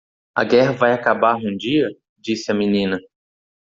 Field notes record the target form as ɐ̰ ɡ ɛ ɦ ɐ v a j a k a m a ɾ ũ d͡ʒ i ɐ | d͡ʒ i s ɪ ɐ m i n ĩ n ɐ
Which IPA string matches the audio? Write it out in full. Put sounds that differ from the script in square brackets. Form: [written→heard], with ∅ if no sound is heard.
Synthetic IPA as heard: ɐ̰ ɡ ɛ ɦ ɐ v a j a k a [m→b] a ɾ ũ d͡ʒ i ɐ | d͡ʒ i s ɪ ɐ m i n ĩ n ɐ